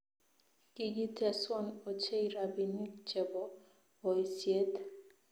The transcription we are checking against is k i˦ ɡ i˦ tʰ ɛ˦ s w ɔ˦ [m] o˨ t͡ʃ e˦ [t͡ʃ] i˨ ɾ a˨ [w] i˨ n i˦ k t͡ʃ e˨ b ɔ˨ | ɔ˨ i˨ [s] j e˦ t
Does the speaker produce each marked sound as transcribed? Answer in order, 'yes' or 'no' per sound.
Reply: no, no, no, yes

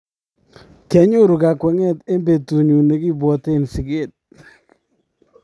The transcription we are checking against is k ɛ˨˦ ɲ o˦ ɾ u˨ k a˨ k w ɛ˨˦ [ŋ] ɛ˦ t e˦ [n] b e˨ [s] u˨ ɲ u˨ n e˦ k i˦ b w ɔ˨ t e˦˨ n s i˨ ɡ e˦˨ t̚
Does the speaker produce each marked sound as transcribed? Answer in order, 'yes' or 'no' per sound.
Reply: yes, no, no

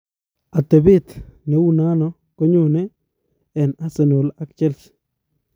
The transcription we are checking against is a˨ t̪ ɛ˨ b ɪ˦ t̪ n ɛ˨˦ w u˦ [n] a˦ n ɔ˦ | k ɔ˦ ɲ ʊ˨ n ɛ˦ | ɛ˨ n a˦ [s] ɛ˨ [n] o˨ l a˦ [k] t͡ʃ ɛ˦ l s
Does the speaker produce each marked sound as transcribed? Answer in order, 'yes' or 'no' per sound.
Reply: yes, yes, yes, yes

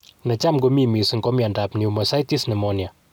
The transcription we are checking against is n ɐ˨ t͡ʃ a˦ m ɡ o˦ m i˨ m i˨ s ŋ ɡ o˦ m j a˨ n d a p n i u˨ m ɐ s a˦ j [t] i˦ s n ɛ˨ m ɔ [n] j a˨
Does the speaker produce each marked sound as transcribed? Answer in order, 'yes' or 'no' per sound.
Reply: yes, yes

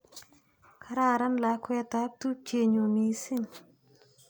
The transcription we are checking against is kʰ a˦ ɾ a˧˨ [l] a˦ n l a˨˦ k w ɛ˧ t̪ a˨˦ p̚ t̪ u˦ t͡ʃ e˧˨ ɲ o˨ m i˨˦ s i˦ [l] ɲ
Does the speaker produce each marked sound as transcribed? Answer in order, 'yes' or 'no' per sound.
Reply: no, no

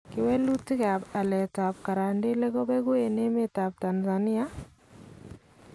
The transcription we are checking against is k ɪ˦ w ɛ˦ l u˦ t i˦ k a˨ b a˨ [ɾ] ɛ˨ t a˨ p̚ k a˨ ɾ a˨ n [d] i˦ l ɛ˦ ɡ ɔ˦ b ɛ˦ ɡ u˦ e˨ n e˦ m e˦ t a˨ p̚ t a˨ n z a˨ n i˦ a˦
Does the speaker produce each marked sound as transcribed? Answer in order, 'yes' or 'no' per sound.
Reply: no, yes

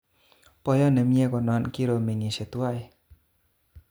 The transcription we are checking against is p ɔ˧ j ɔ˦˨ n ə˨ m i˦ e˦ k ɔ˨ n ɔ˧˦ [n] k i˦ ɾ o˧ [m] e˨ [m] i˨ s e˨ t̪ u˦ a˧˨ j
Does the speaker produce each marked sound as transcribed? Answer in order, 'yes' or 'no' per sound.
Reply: yes, yes, no

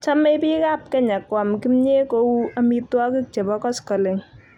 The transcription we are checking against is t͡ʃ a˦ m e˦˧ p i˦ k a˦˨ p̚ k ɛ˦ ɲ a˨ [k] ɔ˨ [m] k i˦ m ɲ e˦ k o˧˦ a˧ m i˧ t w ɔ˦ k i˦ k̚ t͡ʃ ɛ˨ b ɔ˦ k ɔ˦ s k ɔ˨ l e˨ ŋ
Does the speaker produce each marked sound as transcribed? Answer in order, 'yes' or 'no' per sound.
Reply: yes, yes

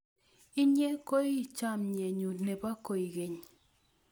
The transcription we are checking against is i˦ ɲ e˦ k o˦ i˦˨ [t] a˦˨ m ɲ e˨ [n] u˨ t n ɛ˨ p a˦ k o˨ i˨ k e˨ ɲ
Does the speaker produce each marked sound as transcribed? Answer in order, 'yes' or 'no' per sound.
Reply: no, no

